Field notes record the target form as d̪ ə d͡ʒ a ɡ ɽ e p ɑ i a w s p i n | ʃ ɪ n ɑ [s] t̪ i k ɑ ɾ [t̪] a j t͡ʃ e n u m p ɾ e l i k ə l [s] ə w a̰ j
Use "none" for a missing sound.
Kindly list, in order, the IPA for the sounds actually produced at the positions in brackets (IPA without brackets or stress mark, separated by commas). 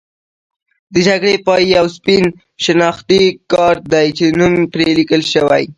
x, d̪, ʃ